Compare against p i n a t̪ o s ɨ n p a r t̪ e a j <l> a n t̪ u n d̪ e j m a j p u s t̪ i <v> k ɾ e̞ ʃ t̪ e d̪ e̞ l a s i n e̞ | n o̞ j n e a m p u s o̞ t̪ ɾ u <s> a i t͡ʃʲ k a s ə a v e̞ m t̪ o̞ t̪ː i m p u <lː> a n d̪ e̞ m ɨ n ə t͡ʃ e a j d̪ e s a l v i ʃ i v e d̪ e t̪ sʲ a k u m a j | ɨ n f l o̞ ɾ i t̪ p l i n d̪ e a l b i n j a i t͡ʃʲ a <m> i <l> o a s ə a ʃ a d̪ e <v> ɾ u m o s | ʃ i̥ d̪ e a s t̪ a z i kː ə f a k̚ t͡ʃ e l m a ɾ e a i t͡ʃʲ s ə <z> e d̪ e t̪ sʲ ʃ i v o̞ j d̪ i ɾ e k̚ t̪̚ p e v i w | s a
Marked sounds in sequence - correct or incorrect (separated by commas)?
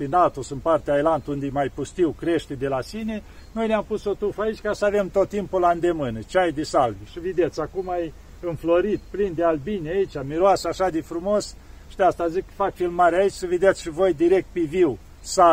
correct, incorrect, incorrect, incorrect, correct, incorrect, incorrect, incorrect